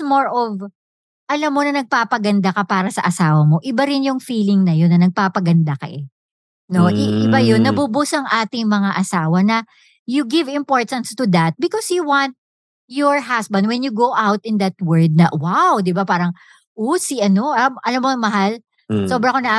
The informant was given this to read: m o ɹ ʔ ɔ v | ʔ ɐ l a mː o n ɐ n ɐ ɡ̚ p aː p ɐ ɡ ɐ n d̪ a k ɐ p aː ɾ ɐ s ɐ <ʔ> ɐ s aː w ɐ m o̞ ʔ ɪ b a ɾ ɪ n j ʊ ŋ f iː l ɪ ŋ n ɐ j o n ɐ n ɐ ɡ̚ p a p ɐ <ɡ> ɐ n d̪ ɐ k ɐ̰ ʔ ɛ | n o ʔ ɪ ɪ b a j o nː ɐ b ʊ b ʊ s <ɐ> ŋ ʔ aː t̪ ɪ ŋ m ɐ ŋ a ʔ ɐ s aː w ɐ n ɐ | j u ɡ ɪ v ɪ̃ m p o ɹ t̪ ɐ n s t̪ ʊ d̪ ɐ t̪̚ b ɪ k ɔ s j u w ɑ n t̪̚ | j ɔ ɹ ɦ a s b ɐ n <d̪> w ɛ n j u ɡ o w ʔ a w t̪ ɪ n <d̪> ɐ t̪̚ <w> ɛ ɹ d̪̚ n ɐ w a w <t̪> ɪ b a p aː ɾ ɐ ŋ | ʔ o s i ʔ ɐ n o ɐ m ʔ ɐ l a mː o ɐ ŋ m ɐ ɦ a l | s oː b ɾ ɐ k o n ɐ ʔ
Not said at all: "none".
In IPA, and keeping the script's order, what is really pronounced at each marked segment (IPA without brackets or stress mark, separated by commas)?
ʔ, ɡ, ɐ, d̪, d̪, w, d̪